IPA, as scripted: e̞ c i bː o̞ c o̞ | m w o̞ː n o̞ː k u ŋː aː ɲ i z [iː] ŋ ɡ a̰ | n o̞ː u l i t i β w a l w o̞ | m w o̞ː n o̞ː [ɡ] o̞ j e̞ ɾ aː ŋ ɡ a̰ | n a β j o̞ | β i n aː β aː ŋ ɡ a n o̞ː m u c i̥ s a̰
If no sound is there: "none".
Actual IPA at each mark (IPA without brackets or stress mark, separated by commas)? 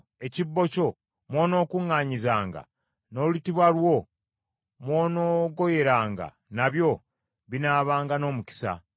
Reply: aː, ɡ